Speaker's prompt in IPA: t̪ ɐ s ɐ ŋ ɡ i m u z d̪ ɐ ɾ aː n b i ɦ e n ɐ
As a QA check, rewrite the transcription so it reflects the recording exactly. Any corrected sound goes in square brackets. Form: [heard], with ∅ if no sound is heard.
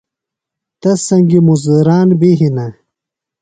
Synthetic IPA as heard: t̪ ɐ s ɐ ŋ ɡ i m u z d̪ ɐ ɾ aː n b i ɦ [i] n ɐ

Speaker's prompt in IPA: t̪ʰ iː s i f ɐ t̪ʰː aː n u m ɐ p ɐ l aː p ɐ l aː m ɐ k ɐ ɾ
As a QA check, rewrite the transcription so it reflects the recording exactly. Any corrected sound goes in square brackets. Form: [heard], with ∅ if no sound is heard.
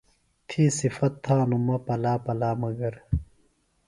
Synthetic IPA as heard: t̪ʰ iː s i f ɐ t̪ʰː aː n u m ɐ p ɐ l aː p ɐ l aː m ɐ [ɡ] ɐ ɾ

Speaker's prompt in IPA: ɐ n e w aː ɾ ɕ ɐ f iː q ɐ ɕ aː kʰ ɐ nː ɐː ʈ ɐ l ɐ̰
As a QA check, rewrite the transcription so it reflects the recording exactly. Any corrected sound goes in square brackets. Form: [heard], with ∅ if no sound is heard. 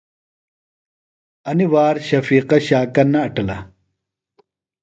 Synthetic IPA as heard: ɐ n [i] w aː ɾ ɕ ɐ f iː q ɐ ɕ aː [k] ɐ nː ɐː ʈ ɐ l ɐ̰

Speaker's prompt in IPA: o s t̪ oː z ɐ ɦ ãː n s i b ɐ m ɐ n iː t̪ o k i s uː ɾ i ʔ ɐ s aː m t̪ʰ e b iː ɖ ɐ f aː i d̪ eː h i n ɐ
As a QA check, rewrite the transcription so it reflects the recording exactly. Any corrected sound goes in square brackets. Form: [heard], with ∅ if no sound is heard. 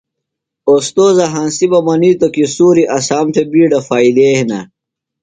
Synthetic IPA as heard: o s t̪ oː z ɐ ɦ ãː n s i b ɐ m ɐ n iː t̪ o k i s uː ɾ i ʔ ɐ s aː m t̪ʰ e b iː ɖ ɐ f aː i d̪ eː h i n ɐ

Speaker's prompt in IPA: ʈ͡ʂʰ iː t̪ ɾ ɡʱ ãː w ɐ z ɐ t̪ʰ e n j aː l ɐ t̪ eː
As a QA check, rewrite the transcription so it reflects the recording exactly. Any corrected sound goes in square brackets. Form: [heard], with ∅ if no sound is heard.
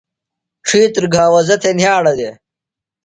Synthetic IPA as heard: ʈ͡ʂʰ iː t̪ ɾ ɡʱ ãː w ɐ z ɐ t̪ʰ e n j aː [ɽ] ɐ [d̪] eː

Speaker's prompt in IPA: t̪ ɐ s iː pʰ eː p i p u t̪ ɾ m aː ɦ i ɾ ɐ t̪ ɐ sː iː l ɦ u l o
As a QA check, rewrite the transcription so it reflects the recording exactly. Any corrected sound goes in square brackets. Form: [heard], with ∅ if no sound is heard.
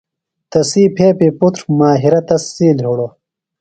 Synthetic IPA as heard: t̪ ɐ s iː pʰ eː p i p u t̪ ɾ m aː ɦ i ɾ ɐ t̪ ɐ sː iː l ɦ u [ɽ] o

